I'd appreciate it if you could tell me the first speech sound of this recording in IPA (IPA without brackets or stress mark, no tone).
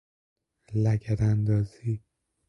l